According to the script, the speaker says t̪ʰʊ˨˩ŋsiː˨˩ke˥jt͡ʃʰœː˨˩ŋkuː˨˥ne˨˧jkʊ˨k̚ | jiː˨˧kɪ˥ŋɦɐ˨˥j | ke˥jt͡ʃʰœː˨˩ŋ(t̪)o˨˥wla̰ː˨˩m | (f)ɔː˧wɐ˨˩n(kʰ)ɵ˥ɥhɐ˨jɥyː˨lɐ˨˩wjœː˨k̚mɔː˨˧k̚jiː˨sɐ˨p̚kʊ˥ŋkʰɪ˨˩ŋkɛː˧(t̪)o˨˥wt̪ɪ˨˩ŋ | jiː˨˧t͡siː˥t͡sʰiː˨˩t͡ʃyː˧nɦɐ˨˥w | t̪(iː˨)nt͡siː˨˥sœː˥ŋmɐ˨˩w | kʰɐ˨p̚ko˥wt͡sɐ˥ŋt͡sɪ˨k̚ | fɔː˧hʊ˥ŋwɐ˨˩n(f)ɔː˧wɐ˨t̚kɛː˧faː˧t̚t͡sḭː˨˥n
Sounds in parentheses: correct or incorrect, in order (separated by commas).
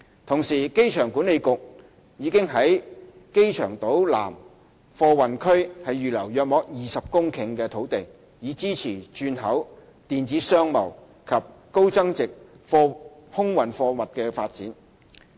correct, correct, correct, incorrect, correct, correct